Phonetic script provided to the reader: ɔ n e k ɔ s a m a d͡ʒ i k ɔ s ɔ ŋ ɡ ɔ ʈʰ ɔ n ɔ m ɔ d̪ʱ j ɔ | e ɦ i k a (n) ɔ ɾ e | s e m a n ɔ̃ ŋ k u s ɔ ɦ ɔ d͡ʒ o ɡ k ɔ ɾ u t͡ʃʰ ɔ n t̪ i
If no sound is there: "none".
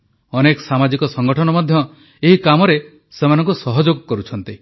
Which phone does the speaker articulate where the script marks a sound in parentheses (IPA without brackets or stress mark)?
m